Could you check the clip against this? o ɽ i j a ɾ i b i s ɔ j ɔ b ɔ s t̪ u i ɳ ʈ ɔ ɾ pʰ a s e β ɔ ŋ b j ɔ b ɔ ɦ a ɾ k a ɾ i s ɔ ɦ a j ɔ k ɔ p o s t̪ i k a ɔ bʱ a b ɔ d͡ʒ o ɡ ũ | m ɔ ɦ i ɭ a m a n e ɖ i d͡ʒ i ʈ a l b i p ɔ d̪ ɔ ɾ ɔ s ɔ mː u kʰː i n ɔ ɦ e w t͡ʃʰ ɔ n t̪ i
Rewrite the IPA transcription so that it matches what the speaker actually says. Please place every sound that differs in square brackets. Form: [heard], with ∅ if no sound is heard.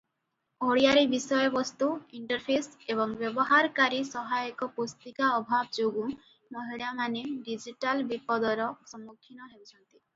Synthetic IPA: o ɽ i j a ɾ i b i s ɔ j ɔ b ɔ s t̪ u i ɳ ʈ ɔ ɾ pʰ [e] s e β ɔ ŋ b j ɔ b ɔ ɦ a ɾ k a ɾ i s ɔ ɦ a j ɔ k ɔ p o s t̪ i k a ɔ bʱ a b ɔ d͡ʒ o ɡ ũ | m ɔ ɦ i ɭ a m a n e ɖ i d͡ʒ i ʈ a l b i p ɔ d̪ ɔ ɾ ɔ s ɔ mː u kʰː i n ɔ ɦ e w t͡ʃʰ ɔ n t̪ i